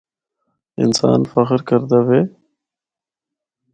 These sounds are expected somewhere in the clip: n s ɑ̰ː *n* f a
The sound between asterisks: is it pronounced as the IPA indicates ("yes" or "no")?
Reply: yes